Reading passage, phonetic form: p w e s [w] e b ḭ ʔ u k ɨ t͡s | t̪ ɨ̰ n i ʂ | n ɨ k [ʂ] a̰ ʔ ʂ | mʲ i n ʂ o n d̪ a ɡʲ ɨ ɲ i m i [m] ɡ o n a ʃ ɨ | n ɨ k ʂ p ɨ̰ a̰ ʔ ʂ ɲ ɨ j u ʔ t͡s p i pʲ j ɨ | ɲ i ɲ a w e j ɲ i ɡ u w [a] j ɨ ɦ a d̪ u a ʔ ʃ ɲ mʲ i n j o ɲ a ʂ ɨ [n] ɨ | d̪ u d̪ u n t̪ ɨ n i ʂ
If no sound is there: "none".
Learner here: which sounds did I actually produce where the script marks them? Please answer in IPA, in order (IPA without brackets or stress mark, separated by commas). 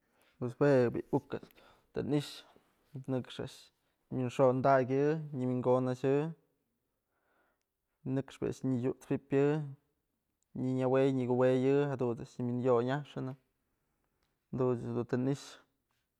w, ʂ, ŋ, e, n